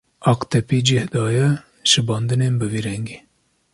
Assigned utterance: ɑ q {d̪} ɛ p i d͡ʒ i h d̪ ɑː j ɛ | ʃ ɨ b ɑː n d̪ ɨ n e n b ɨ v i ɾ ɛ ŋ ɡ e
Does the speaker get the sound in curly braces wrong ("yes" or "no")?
yes